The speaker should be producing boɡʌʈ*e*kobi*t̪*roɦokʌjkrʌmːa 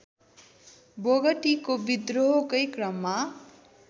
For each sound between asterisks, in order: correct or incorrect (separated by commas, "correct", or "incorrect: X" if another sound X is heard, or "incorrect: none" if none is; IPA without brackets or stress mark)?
incorrect: i, incorrect: d̪